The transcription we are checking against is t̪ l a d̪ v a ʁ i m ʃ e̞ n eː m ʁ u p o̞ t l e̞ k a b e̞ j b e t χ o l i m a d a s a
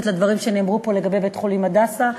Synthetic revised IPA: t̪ l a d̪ v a ʁ i m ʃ e̞ n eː m ʁ u p o̞ l e̞ ɡ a b e̞ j b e t χ o l i m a d a s a